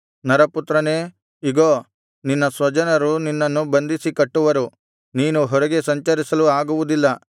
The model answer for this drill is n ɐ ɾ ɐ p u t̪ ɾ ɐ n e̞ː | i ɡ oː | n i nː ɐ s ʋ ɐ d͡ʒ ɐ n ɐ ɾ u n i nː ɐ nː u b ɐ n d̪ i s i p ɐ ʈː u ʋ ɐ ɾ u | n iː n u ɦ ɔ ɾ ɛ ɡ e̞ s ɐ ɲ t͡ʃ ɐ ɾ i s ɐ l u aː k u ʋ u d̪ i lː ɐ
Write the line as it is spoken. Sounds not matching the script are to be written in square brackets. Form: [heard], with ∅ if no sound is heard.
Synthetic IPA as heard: n ɐ ɾ ɐ p u t̪ ɾ ɐ n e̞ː | i ɡ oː | n i nː ɐ s ʋ ɐ d͡ʒ ɐ n ɐ ɾ u n i nː ɐ nː u b ɐ n d̪ i s i [k] ɐ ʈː u ʋ ɐ ɾ u | n iː n u ɦ ɔ ɾ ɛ ɡ e̞ s ɐ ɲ t͡ʃ ɐ ɾ i s ɐ l u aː [ɡ] u ʋ u d̪ i lː ɐ

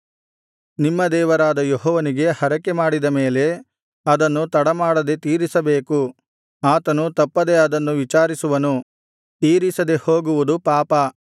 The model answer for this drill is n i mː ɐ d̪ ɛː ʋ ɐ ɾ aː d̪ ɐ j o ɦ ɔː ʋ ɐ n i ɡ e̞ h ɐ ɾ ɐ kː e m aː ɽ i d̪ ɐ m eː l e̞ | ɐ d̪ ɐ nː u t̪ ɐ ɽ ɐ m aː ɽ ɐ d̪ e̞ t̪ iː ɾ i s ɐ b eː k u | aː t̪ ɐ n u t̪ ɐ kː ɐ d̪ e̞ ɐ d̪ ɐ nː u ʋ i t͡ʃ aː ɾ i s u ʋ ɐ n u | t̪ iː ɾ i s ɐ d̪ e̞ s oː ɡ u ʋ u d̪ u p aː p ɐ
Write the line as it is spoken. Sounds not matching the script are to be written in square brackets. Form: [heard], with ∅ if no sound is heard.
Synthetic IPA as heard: n i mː ɐ d̪ ɛː ʋ ɐ ɾ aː d̪ ɐ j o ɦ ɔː ʋ ɐ n i ɡ e̞ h ɐ ɾ ɐ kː e m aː ɽ i d̪ ɐ m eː l e̞ | ɐ d̪ ɐ nː u t̪ ɐ ɽ ɐ m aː ɽ ɐ d̪ e̞ t̪ iː ɾ i s ɐ b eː k u | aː t̪ ɐ n u t̪ ɐ [pː] ɐ d̪ e̞ ɐ d̪ ɐ nː u ʋ i t͡ʃ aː ɾ i s u ʋ ɐ n u | t̪ iː ɾ i s ɐ d̪ e̞ [h] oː ɡ u ʋ u d̪ u p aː p ɐ

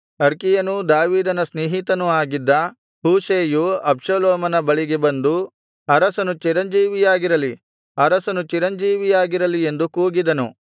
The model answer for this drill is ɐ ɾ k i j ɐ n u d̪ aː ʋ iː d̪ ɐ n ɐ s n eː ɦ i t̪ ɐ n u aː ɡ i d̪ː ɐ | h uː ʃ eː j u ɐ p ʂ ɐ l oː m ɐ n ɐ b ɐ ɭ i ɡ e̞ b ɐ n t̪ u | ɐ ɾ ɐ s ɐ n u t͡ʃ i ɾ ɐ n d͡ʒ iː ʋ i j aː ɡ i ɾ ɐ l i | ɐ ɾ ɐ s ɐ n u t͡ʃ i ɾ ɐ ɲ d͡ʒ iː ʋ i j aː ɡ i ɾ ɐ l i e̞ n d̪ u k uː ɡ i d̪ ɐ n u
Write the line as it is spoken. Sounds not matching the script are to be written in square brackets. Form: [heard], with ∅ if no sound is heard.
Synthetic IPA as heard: ɐ ɾ k i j ɐ n u d̪ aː ʋ iː d̪ ɐ n ɐ s n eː ɦ i t̪ ɐ n u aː ɡ i d̪ː ɐ | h uː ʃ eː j u ɐ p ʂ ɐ l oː m ɐ n ɐ b ɐ ɭ i ɡ e̞ b ɐ n [d̪] u | ɐ ɾ ɐ s ɐ n u t͡ʃ i ɾ ɐ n d͡ʒ iː ʋ i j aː ɡ i ɾ ɐ l i | ɐ ɾ ɐ s ɐ n u t͡ʃ i ɾ ɐ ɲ d͡ʒ iː ʋ i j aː ɡ i ɾ ɐ l i e̞ n d̪ u k uː ɡ i d̪ ɐ n u

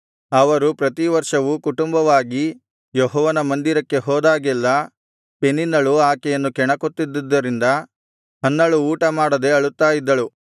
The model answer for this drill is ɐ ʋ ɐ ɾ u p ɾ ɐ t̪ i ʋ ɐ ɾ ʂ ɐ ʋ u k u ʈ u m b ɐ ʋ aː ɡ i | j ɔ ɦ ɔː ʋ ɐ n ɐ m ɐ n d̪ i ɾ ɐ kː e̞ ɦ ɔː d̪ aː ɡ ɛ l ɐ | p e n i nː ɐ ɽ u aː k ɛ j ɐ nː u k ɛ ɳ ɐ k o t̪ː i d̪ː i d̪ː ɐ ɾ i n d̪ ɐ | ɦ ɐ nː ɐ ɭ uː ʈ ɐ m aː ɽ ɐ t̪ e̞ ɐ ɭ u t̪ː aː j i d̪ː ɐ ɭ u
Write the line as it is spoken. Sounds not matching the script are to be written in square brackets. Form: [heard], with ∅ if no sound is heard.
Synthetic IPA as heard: ɐ ʋ ɐ ɾ u p ɾ ɐ t̪ i ʋ ɐ ɾ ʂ ɐ ʋ u k u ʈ u m b ɐ ʋ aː ɡ i | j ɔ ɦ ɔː ʋ ɐ n ɐ m ɐ n d̪ i ɾ ɐ kː e̞ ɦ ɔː d̪ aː ɡ ɛ [lː] ɐ | p e n i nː ɐ [ɭ] u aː k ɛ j ɐ nː u k ɛ ɳ ɐ k o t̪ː i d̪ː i d̪ː ɐ ɾ i n d̪ ɐ | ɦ ɐ nː ɐ ɭ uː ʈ ɐ m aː ɽ ɐ [d̪] e̞ ɐ ɭ u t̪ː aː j i d̪ː ɐ ɭ u

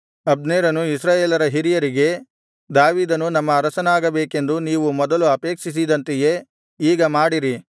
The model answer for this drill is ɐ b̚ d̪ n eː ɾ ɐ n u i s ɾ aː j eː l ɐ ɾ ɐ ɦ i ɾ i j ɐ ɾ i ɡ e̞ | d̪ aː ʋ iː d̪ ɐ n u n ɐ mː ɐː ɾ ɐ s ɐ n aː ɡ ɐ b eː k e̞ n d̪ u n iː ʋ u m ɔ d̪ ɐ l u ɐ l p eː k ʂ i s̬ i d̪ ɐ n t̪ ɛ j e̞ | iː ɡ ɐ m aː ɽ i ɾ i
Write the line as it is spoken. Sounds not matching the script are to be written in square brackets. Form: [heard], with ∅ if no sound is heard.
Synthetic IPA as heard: ɐ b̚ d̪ n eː ɾ ɐ n u i s ɾ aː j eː l ɐ ɾ ɐ ɦ i ɾ i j ɐ ɾ i ɡ e̞ | d̪ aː ʋ iː d̪ ɐ n u n ɐ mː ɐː ɾ ɐ s ɐ n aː ɡ ɐ b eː k e̞ n d̪ u n iː ʋ u m ɔ d̪ ɐ l u ɐ [∅] p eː k ʂ i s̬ i d̪ ɐ n t̪ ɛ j e̞ | iː ɡ ɐ m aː ɽ i ɾ i

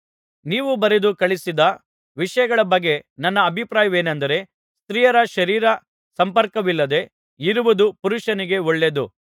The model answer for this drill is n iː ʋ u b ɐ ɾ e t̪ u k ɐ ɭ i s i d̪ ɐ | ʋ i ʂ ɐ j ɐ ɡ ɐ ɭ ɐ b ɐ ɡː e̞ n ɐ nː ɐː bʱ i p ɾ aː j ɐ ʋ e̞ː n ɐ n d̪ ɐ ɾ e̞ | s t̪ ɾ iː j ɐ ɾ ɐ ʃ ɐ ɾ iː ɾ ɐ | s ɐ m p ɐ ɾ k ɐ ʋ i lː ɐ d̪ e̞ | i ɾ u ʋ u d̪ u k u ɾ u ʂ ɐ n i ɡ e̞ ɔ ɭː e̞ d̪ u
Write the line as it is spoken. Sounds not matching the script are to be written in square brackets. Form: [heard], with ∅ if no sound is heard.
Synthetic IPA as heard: n iː ʋ u b ɐ ɾ e [d̪] u k ɐ ɭ i s i d̪ ɐ | ʋ i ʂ ɐ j ɐ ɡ ɐ ɭ ɐ b ɐ ɡː e̞ n ɐ nː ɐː bʱ i p ɾ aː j ɐ ʋ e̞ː n ɐ n d̪ ɐ ɾ e̞ | s t̪ ɾ iː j ɐ ɾ ɐ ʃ ɐ ɾ iː ɾ ɐ | s ɐ m p ɐ ɾ k ɐ ʋ i lː ɐ d̪ e̞ | i ɾ u ʋ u d̪ u [p] u ɾ u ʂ ɐ n i ɡ e̞ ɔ ɭː e̞ d̪ u

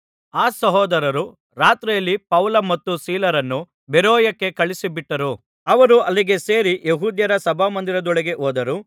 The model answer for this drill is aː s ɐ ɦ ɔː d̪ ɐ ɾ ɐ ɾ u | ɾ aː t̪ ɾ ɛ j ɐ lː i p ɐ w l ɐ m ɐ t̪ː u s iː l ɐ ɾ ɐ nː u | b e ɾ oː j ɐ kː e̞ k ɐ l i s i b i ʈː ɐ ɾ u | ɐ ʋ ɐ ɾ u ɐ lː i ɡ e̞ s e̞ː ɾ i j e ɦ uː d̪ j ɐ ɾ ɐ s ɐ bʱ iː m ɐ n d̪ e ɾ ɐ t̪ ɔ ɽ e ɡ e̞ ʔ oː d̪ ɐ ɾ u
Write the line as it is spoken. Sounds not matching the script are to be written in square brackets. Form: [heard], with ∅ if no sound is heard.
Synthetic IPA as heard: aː s ɐ ɦ ɔː d̪ ɐ ɾ ɐ ɾ u | ɾ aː t̪ ɾ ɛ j ɐ lː i p ɐ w l ɐ m ɐ t̪ː u s iː l ɐ ɾ ɐ nː u | b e ɾ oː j ɐ kː e̞ k ɐ [ɭ] i s i b i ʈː ɐ ɾ u | ɐ ʋ ɐ ɾ u ɐ lː i ɡ e̞ s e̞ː ɾ i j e ɦ uː d̪ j ɐ ɾ ɐ s ɐ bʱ [aː] m ɐ n d̪ [i] ɾ ɐ [d̪] ɔ [ɭ] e ɡ e̞ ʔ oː d̪ ɐ ɾ u

